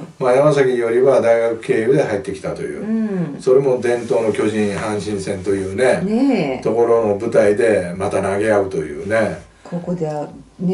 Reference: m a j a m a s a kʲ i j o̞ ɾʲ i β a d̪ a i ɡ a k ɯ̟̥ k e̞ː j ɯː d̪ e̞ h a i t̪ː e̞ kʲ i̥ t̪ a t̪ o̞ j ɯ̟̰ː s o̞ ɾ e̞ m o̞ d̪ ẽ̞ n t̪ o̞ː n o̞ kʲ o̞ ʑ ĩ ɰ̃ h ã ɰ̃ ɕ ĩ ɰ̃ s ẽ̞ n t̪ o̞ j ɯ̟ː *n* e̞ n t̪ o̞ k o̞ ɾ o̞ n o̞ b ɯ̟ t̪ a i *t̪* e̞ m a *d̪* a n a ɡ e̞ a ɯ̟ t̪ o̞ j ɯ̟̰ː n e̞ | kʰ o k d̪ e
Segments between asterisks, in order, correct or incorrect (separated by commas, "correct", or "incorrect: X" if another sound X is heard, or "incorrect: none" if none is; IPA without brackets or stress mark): correct, incorrect: d̪, incorrect: t̪